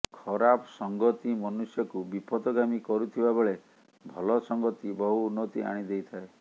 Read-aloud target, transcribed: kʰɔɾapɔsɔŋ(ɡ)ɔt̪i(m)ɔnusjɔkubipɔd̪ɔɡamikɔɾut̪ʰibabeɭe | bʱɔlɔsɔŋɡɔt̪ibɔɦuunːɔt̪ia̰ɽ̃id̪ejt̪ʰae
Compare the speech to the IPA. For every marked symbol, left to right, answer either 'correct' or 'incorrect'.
correct, correct

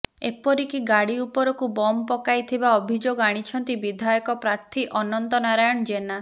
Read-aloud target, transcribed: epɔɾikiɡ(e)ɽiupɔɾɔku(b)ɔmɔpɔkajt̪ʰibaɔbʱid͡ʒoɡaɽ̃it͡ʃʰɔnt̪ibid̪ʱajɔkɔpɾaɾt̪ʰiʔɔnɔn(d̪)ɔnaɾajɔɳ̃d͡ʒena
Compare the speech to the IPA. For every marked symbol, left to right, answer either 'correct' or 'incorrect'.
incorrect: a, correct, incorrect: t̪

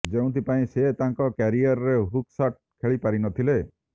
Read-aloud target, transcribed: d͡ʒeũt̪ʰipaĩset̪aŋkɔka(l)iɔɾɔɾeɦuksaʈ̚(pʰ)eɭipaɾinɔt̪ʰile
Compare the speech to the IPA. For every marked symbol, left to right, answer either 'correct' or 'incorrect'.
incorrect: ɾ, incorrect: kʰ

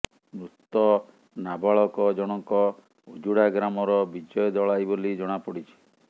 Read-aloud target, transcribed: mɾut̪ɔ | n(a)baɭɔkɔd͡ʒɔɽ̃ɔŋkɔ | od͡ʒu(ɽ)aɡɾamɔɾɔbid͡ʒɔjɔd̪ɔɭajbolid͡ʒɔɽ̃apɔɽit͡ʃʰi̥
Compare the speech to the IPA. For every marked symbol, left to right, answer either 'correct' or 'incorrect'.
correct, correct

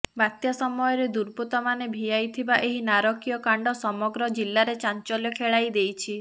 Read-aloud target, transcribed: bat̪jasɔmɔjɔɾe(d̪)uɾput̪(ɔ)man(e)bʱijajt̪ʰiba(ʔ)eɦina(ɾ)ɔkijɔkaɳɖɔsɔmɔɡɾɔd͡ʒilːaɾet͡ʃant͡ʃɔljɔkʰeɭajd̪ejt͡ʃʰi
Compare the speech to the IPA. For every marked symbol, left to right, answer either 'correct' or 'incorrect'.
correct, correct, correct, correct, correct

